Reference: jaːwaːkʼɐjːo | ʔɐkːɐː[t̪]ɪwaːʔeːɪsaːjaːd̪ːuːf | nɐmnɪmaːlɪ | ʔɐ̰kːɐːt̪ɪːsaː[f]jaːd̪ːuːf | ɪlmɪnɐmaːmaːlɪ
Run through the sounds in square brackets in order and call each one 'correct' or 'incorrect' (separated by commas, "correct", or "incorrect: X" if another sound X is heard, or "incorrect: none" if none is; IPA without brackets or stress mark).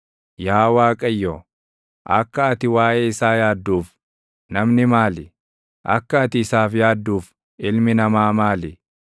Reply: correct, correct